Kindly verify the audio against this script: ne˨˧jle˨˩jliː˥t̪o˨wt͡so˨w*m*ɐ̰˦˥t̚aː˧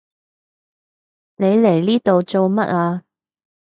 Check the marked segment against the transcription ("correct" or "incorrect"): correct